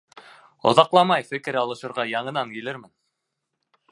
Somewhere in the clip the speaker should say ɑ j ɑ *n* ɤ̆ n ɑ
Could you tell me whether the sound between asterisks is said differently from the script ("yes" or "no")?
yes